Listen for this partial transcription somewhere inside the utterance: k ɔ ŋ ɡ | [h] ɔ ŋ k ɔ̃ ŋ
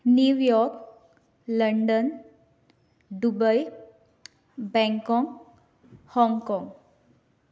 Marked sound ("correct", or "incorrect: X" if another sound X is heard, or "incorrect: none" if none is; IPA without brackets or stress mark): correct